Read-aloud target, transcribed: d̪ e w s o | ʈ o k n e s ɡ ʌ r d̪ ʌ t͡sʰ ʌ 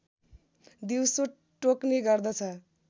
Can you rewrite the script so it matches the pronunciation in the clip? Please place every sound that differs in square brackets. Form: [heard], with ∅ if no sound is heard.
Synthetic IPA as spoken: d̪ [i] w s o | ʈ o k n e [∅] ɡ ʌ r d̪ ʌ t͡sʰ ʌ